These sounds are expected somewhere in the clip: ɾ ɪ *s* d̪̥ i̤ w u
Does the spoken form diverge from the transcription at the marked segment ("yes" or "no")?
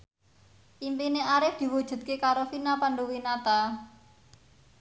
yes